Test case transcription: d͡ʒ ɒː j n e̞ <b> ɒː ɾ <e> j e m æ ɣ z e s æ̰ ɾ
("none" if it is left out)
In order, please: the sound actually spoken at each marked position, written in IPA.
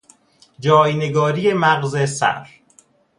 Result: ɡ, i

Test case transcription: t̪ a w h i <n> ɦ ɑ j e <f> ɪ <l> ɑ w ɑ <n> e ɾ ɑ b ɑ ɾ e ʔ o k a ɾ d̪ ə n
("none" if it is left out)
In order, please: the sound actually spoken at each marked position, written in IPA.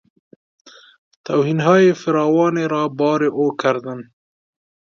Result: n, f, ɾ, n

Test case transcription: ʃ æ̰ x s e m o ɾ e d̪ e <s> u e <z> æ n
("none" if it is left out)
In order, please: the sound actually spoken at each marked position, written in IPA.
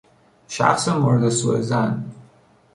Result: s, z

